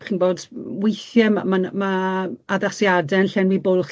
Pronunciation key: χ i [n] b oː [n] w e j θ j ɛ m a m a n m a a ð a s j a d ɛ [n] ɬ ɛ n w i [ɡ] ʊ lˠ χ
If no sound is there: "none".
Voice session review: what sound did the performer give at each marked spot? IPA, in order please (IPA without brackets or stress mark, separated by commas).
n, d, n, b